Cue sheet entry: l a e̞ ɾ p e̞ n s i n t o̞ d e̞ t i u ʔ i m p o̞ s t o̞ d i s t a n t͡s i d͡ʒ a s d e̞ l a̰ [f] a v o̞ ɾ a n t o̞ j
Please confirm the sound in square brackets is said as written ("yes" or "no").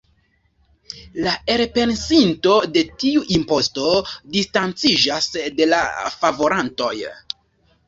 yes